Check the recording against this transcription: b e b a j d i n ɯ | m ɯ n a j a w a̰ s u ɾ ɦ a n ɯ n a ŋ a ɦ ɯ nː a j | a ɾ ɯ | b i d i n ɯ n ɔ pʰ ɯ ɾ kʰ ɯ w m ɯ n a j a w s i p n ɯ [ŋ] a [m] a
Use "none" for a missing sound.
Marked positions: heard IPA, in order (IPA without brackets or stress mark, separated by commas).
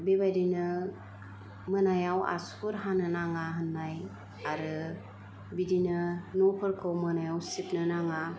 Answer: n, ŋ